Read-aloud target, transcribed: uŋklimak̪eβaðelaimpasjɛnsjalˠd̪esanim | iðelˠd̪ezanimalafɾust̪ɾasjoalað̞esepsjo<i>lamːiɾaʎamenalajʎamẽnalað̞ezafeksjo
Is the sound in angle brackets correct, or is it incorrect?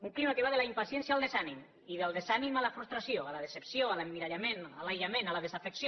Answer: incorrect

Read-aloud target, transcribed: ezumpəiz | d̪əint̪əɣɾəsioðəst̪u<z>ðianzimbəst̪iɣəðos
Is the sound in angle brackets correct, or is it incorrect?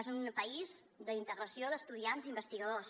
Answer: incorrect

